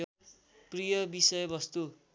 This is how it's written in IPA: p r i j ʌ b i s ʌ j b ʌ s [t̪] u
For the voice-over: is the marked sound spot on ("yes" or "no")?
yes